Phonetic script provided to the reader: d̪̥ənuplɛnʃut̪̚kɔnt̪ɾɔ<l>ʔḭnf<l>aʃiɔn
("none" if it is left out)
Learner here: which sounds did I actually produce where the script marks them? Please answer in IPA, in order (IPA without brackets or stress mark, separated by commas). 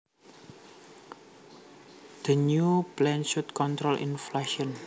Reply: l, l